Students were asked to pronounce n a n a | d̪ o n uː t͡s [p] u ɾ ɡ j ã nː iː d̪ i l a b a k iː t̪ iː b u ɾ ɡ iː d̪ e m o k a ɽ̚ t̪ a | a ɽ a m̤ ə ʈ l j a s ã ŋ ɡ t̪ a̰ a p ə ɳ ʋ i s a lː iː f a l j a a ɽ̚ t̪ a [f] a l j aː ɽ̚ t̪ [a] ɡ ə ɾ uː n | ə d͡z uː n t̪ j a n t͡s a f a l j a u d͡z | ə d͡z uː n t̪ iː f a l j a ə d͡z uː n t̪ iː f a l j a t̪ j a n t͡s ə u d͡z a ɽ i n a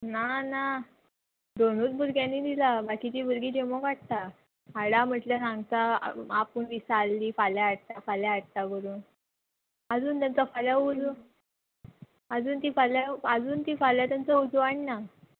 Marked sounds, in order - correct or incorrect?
incorrect: b, correct, correct

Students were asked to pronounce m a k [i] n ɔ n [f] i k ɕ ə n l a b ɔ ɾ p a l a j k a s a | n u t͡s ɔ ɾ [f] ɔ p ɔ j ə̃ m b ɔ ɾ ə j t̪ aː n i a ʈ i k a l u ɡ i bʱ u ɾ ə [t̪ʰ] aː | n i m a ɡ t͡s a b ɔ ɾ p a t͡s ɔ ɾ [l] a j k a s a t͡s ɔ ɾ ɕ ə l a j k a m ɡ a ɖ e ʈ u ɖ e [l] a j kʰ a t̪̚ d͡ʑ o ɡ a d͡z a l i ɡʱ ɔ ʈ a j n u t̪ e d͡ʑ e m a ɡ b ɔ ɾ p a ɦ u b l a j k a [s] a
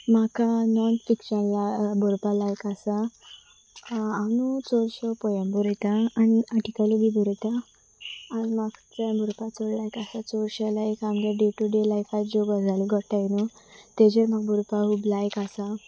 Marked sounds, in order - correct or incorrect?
incorrect: a, correct, incorrect: ɕ, incorrect: t̪, correct, correct, correct

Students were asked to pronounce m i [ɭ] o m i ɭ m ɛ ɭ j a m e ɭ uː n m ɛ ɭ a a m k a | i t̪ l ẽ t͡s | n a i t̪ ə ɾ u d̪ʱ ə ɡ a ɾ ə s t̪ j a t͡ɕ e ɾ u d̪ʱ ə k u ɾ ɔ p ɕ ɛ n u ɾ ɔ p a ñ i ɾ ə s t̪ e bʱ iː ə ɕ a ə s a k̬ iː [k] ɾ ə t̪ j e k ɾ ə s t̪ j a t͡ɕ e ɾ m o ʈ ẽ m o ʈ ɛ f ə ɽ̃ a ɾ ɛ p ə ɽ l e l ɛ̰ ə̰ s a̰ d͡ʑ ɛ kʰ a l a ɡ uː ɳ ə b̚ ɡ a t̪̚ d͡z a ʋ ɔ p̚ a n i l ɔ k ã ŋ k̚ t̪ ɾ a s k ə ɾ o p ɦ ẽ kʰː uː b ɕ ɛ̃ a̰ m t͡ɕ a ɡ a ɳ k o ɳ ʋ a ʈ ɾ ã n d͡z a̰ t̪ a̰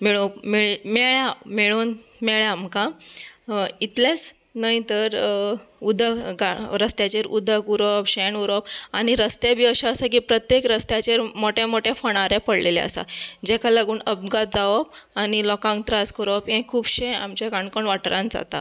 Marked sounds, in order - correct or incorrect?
correct, incorrect: p

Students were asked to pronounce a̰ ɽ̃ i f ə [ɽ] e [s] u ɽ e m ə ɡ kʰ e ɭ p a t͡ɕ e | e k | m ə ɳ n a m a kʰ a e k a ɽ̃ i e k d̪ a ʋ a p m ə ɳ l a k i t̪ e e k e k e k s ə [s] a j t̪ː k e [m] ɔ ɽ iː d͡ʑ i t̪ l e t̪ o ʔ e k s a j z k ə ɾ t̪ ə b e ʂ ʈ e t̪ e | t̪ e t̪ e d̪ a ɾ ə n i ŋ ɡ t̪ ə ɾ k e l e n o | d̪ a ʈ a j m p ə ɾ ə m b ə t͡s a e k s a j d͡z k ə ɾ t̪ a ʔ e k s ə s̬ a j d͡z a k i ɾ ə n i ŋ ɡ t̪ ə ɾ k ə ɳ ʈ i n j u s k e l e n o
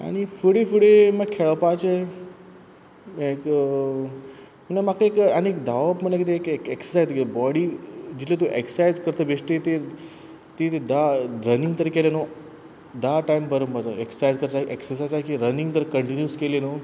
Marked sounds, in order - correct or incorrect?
correct, incorrect: f, correct, incorrect: b

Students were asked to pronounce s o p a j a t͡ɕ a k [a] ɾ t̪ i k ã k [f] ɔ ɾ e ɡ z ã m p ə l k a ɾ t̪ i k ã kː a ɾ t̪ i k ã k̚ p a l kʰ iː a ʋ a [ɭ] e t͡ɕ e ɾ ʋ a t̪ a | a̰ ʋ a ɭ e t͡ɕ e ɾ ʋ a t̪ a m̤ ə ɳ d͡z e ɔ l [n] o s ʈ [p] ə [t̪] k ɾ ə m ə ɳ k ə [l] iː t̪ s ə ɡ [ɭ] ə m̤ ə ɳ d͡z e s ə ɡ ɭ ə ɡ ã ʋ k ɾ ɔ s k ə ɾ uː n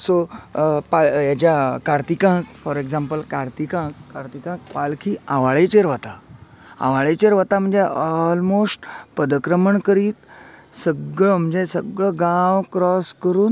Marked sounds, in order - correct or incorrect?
correct, correct, correct, incorrect: m, correct, incorrect: d̪, incorrect: ɾ, correct

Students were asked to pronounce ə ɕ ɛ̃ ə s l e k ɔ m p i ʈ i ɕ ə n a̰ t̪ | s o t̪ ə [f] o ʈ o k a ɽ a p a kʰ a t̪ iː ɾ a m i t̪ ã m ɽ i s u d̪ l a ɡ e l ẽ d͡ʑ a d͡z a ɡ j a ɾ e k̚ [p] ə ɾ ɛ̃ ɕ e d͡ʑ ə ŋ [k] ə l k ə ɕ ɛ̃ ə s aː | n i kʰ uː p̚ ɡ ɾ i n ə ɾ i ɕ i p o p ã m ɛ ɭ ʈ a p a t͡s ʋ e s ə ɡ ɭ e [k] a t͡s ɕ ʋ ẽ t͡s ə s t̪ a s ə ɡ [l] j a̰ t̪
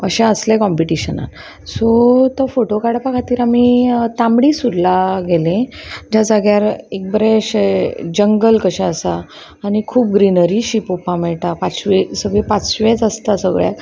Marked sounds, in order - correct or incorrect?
correct, incorrect: b, incorrect: ɡ, incorrect: p, incorrect: ɭ

